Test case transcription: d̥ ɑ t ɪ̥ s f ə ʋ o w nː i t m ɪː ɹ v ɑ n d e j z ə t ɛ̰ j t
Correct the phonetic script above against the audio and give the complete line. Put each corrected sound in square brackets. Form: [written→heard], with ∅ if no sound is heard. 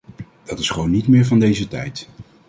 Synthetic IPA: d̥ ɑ t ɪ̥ s [f→χ] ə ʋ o w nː i t m ɪː ɹ v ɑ n d e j z ə t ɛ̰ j t